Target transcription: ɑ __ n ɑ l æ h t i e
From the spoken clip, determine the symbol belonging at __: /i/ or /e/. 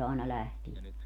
e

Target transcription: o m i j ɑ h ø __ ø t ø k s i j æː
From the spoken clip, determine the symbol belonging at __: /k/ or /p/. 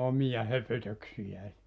p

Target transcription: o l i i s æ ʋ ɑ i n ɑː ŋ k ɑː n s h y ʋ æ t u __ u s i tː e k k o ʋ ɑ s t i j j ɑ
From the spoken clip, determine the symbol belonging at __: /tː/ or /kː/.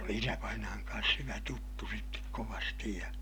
tː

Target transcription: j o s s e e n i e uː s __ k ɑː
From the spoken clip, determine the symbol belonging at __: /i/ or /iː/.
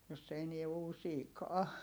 iː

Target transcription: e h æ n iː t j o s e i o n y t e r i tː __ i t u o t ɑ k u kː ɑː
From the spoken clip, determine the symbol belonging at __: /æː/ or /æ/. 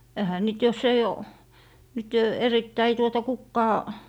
æ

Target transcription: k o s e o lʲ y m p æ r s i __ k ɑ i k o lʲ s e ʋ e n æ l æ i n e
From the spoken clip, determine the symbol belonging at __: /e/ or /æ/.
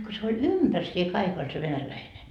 e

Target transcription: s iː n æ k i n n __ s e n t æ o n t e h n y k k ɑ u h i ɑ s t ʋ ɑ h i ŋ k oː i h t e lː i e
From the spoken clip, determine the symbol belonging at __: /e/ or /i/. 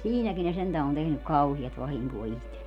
e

